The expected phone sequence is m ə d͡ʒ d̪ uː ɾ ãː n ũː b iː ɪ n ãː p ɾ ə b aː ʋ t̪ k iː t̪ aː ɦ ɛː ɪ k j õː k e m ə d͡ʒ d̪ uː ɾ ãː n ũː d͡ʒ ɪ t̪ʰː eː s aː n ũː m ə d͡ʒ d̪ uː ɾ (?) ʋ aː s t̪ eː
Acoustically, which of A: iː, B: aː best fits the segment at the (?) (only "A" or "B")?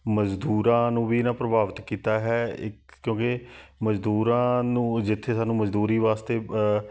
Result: A